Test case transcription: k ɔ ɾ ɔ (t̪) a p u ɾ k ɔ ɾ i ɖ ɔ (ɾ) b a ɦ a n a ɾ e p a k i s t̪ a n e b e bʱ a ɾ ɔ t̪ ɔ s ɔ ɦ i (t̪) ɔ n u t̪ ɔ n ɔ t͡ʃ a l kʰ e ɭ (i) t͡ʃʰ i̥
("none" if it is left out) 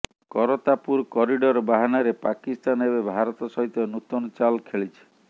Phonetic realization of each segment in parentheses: t̪, ɾ, t̪, i

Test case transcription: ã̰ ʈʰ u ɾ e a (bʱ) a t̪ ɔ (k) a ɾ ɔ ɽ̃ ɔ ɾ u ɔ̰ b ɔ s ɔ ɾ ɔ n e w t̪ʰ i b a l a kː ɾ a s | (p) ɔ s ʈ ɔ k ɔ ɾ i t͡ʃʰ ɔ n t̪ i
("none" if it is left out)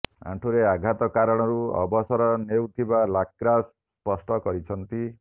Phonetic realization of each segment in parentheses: ɡʱ, k, p

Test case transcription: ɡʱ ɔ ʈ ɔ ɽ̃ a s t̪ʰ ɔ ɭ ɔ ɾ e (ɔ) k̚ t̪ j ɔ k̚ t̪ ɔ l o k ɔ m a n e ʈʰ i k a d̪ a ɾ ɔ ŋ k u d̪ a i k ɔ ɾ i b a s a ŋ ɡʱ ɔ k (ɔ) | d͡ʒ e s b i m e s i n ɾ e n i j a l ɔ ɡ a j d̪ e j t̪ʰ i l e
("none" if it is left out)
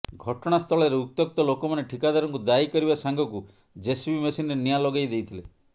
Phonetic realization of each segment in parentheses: u, u

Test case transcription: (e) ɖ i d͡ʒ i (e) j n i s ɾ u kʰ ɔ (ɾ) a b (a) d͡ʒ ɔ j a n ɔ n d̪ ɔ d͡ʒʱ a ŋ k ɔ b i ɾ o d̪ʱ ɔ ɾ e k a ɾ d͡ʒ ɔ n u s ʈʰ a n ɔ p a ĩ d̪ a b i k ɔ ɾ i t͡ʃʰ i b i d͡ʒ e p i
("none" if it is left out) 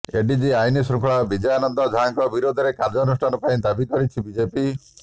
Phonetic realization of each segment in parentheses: e, a, ɭ, i

